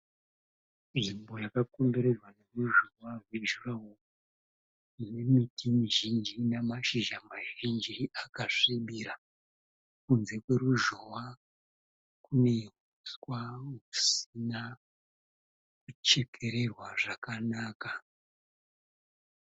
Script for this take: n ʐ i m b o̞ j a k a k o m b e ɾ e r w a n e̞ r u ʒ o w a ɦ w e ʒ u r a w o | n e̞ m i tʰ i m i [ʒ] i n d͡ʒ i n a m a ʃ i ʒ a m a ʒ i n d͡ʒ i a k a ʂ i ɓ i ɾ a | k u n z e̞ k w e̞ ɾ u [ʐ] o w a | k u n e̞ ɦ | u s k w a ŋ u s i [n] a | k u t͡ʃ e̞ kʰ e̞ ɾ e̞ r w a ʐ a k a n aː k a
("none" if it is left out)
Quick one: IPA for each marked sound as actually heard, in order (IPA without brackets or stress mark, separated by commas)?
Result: ʒ, ʒ, n